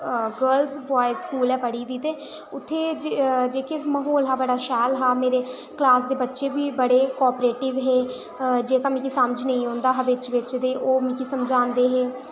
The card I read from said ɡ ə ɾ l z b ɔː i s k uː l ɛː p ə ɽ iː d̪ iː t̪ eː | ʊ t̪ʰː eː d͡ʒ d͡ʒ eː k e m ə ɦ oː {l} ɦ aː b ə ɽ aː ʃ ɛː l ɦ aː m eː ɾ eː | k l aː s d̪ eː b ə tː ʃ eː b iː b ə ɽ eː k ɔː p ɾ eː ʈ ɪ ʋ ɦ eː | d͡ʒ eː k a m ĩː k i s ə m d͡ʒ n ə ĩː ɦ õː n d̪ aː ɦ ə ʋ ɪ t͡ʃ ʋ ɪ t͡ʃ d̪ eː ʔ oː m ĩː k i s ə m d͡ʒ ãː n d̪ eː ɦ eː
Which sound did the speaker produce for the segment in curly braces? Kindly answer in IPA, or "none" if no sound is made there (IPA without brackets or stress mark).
l